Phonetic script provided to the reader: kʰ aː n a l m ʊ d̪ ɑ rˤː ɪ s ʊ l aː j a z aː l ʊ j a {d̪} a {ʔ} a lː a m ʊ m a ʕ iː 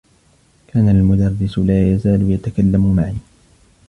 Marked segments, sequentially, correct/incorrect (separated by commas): incorrect, incorrect